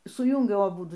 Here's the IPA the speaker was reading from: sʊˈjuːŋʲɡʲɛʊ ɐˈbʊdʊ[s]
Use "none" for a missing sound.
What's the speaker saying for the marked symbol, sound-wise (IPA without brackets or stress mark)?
none